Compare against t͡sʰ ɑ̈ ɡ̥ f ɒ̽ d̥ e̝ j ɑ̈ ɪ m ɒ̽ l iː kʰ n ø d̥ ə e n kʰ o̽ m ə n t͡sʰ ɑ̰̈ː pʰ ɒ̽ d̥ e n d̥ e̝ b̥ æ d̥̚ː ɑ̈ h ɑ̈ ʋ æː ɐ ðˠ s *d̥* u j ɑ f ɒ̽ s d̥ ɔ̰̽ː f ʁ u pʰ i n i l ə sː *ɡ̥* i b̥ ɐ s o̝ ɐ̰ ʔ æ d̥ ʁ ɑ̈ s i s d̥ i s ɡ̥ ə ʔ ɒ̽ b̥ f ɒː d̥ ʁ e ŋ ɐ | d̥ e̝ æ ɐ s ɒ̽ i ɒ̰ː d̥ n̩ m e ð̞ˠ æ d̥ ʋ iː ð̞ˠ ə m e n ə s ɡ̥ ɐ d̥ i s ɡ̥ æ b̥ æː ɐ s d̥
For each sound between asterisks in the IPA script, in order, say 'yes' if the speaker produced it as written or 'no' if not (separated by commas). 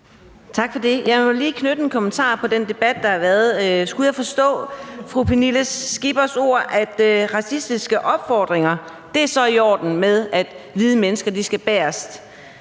no, yes